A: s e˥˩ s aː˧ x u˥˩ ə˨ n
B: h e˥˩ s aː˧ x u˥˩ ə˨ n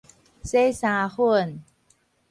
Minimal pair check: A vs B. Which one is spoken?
A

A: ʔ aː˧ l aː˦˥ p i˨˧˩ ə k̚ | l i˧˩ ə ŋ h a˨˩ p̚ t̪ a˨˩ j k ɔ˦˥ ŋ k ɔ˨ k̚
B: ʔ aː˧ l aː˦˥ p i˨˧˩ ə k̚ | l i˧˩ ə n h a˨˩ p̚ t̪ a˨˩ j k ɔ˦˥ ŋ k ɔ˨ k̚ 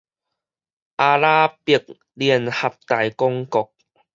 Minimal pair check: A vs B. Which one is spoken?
B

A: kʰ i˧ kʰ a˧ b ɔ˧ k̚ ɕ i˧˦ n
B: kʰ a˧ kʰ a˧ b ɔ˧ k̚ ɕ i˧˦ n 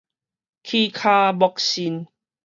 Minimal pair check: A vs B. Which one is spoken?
A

